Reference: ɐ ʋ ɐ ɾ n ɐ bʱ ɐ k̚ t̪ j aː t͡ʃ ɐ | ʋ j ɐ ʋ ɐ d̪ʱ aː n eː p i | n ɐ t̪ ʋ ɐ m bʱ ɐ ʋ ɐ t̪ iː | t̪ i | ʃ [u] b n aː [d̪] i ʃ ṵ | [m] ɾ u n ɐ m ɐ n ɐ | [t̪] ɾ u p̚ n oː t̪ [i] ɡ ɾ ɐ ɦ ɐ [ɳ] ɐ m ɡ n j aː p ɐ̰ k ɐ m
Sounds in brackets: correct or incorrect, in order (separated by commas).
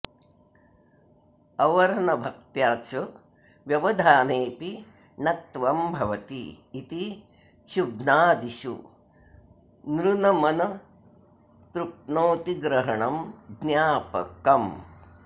correct, correct, incorrect, correct, correct, correct